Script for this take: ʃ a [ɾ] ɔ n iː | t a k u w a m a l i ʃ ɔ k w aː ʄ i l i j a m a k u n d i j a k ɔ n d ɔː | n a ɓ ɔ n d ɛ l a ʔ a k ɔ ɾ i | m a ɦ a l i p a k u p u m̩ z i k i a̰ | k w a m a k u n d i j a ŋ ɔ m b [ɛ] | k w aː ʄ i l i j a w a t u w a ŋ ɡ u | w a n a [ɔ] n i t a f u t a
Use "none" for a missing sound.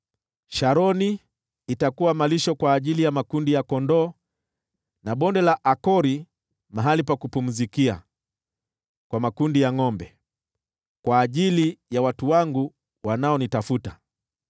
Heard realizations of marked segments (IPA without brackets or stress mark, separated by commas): ɾ, ɛ, ɔ